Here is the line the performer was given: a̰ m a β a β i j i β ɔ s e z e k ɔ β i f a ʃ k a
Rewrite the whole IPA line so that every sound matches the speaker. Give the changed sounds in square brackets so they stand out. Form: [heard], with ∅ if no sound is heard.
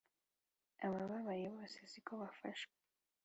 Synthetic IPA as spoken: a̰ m a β a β [a] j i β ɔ s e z [i] k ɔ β [a] f a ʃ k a